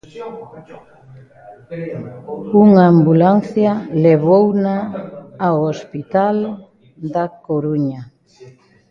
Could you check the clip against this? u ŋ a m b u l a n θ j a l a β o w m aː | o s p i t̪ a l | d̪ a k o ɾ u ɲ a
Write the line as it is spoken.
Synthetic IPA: u ŋ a m b u l a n θ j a l e β o w n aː | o s p i t̪ a l | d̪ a k o ɾ u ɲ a